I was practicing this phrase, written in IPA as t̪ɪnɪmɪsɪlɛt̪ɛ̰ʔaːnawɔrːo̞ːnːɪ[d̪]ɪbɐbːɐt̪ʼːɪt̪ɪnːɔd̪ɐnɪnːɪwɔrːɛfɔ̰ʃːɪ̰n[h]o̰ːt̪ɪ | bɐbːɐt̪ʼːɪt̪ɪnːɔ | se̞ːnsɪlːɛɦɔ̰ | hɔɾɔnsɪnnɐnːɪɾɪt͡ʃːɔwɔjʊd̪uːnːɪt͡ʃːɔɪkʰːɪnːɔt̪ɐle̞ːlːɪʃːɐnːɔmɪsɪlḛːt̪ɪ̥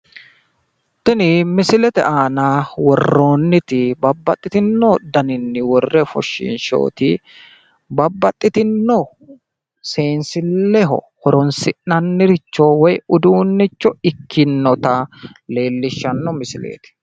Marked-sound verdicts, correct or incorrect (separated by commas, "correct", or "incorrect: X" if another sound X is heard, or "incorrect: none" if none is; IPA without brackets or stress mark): incorrect: t̪, incorrect: ʃ